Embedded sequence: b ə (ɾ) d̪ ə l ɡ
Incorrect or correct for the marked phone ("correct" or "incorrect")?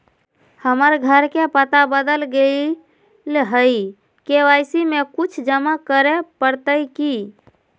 incorrect